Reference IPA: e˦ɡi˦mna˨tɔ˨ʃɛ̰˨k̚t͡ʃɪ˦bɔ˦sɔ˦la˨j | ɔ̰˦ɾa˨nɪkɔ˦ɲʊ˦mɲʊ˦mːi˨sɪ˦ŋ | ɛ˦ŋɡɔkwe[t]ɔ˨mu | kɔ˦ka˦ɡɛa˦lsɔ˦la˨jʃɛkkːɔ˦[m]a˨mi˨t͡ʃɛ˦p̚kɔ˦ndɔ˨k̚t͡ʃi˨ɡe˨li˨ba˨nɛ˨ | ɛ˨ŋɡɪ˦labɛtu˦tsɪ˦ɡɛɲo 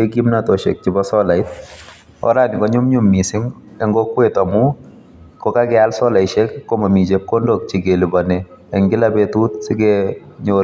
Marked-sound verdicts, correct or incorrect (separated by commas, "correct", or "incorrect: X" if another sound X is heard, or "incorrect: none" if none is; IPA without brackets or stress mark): correct, correct